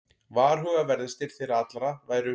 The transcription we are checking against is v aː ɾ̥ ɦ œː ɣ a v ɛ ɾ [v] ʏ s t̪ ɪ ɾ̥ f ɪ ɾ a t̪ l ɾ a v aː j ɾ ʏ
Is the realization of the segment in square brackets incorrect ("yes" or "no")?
yes